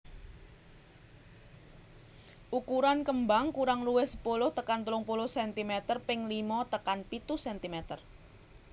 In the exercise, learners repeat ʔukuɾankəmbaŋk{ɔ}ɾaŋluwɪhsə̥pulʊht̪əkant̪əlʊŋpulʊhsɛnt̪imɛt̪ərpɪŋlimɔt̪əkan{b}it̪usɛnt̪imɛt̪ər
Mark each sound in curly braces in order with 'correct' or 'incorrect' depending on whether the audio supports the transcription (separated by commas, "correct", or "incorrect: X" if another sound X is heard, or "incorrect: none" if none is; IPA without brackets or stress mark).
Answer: incorrect: u, incorrect: p